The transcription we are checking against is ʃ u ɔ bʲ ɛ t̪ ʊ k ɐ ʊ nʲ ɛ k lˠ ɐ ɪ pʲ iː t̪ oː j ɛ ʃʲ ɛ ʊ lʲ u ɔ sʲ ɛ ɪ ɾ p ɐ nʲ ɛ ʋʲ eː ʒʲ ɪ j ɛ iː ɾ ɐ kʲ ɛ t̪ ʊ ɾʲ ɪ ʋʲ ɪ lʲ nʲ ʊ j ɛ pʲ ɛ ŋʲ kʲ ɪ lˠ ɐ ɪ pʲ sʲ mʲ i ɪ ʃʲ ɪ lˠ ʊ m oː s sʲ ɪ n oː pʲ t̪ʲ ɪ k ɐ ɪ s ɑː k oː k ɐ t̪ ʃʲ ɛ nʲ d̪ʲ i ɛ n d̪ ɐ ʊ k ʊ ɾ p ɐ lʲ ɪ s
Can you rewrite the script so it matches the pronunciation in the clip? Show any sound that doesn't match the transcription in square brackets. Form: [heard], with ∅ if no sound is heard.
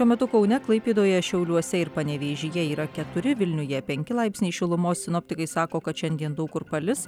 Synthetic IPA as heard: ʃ u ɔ [mʲ] ɛ t̪ ʊ k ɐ ʊ nʲ ɛ k lˠ ɐ ɪ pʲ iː [d̪] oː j ɛ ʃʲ ɛ ʊ lʲ u ɔ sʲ ɛ ɪ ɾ p ɐ nʲ ɛ ʋʲ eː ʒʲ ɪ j ɛ iː ɾ ɐ kʲ ɛ t̪ ʊ ɾʲ ɪ ʋʲ ɪ lʲ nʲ ʊ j ɛ pʲ ɛ ŋʲ kʲ ɪ lˠ ɐ ɪ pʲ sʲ [nʲ] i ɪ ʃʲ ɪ lˠ ʊ m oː s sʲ ɪ n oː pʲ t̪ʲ ɪ k ɐ ɪ s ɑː k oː k ɐ t̪ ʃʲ ɛ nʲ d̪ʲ i ɛ n d̪ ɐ ʊ k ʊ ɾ p ɐ lʲ ɪ s

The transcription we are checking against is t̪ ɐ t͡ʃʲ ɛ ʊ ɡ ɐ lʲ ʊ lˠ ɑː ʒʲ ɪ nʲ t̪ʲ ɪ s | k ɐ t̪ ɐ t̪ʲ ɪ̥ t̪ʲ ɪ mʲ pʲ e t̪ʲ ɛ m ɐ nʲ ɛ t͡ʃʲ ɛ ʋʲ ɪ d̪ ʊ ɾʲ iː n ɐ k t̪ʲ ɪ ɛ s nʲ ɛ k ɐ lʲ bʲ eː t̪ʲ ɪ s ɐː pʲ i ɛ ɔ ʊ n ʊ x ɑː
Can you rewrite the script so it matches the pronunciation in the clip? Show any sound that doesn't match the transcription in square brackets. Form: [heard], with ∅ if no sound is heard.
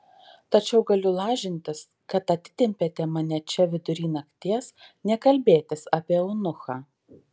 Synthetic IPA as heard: t̪ ɐ t͡ʃʲ ɛ ʊ ɡ ɐ lʲ ʊ lˠ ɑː ʒʲ ɪ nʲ t̪ʲ ɪ s | k ɐ t̪ ɐ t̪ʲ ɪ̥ t̪ʲ ɪ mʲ pʲ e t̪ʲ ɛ m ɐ nʲ ɛ t͡ʃʲ ɛ ʋʲ ɪ d̪ ʊ ɾʲ iː n ɐ k t̪ʲ [i] ɛ s nʲ ɛ k ɐ lʲ bʲ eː t̪ʲ ɪ s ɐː pʲ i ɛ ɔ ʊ n ʊ x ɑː

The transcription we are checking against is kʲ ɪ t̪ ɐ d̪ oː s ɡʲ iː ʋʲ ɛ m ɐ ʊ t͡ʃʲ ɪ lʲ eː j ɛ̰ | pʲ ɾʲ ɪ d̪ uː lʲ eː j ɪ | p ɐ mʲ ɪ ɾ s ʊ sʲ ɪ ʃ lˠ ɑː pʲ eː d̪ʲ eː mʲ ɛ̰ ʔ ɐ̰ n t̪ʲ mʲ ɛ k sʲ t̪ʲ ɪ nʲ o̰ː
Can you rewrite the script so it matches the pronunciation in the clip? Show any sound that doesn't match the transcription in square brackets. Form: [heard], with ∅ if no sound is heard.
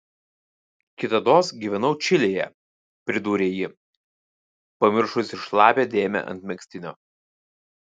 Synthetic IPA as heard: kʲ ɪ t̪ ɐ d̪ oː s ɡʲ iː ʋʲ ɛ [n] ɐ ʊ t͡ʃʲ ɪ lʲ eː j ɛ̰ | pʲ ɾʲ ɪ d̪ uː [ɾʲ] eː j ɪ | p ɐ mʲ ɪ ɾ [ʃ] ʊ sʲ ɪ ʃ lˠ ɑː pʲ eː d̪ʲ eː mʲ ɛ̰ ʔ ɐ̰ n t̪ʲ mʲ ɛ k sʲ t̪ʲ ɪ nʲ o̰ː

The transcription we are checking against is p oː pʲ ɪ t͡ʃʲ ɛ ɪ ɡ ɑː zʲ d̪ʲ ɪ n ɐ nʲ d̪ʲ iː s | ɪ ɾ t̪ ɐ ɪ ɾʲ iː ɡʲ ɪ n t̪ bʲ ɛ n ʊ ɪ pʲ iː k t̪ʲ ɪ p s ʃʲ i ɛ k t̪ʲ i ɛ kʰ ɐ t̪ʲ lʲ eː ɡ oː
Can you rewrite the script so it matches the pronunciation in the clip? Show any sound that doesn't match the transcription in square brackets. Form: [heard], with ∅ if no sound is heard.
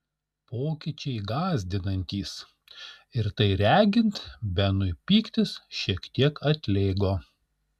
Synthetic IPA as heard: p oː [kʲ] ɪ t͡ʃʲ ɛ ɪ ɡ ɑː zʲ d̪ʲ ɪ n ɐ nʲ [t̪ʲ] iː s | ɪ ɾ t̪ ɐ ɪ ɾʲ [æː] ɡʲ ɪ n t̪ bʲ ɛ n ʊ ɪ pʲ iː k t̪ʲ ɪ [∅] s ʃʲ i ɛ k t̪ʲ i ɛ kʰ ɐ t̪ʲ lʲ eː ɡ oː

